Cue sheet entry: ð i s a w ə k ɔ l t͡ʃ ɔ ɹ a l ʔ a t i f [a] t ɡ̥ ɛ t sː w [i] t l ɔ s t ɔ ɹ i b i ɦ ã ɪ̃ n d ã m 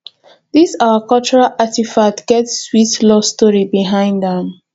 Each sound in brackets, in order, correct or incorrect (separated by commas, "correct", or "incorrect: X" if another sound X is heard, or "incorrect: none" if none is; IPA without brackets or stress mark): correct, correct